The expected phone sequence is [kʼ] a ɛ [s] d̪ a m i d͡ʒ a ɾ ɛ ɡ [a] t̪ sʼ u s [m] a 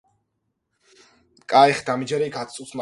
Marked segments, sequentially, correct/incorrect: correct, incorrect, correct, correct

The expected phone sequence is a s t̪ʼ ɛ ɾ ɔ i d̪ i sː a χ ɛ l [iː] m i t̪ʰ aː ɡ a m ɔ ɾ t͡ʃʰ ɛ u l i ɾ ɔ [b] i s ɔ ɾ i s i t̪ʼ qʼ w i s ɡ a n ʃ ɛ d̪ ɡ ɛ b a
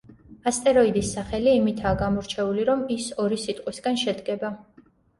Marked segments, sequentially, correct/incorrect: correct, incorrect

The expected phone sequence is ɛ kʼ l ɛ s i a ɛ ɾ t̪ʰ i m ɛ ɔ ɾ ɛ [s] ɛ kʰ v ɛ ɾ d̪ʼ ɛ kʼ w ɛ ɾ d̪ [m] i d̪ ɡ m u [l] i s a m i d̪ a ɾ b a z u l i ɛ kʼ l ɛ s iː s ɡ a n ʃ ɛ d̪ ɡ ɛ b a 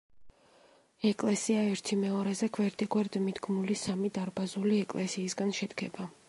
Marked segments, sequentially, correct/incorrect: incorrect, correct, correct

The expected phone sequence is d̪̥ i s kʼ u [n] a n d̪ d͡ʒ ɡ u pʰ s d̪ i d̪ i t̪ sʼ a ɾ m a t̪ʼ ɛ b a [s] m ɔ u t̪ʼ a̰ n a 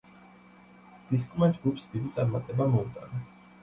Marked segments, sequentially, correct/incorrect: incorrect, incorrect

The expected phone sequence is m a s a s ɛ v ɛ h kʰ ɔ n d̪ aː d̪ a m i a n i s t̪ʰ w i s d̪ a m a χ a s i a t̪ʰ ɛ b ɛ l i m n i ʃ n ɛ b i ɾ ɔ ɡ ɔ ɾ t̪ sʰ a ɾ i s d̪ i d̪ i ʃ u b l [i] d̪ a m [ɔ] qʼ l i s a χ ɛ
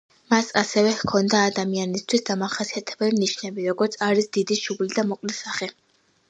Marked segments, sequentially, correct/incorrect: correct, correct

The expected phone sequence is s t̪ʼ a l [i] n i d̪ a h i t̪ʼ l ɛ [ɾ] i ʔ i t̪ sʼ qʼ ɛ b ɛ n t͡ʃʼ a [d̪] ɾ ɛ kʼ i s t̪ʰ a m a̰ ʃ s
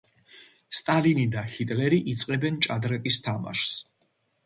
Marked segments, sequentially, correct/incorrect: correct, correct, correct

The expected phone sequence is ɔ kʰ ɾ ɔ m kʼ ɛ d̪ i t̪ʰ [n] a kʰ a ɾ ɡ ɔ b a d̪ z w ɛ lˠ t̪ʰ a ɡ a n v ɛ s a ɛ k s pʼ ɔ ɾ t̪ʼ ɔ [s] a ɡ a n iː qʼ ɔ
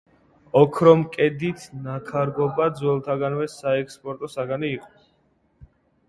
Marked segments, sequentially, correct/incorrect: correct, correct

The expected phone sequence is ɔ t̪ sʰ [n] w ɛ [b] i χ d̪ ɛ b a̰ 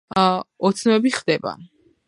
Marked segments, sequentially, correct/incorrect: correct, correct

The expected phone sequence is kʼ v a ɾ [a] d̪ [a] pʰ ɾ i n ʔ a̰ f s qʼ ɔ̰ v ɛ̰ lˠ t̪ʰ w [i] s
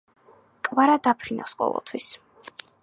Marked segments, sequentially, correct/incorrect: correct, correct, correct

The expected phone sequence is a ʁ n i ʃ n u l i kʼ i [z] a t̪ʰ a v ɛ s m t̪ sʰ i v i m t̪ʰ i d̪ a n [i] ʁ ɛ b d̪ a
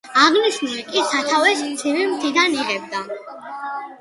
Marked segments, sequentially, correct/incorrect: incorrect, correct

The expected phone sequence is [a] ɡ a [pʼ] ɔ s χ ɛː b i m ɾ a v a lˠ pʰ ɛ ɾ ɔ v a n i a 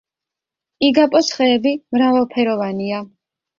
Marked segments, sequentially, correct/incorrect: incorrect, correct

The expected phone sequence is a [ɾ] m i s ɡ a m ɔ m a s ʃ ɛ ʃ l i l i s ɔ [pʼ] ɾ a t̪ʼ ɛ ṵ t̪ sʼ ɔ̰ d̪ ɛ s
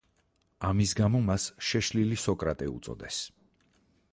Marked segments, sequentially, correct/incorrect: incorrect, incorrect

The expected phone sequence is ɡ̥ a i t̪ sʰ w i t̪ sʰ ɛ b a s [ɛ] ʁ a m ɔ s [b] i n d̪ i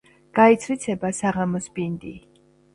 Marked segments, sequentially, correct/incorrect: incorrect, correct

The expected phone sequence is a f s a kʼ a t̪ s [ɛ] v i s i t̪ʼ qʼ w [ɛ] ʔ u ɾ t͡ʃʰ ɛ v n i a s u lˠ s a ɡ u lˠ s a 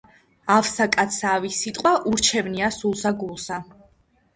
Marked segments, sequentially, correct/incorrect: incorrect, incorrect

